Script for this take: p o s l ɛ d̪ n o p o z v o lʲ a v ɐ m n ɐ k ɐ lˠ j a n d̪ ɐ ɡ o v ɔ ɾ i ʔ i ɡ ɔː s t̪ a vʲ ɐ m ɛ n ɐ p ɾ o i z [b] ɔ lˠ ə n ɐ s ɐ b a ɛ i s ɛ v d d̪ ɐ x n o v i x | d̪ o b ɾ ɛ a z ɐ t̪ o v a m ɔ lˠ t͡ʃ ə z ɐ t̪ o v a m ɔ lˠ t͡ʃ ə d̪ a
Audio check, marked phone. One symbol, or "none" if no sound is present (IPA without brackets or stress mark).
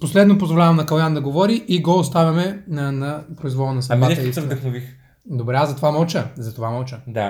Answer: v